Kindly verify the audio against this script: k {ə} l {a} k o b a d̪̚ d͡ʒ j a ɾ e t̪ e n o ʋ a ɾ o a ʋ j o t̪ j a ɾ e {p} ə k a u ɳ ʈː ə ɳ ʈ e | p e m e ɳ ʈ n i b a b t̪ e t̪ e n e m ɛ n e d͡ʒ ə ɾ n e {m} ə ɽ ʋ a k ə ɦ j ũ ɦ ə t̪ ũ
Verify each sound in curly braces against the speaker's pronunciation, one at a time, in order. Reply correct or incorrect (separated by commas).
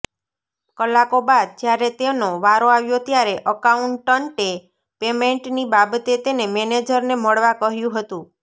correct, correct, incorrect, correct